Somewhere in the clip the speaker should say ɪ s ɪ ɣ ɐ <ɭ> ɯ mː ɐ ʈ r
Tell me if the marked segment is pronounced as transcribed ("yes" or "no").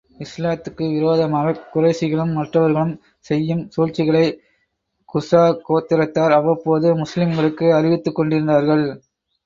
yes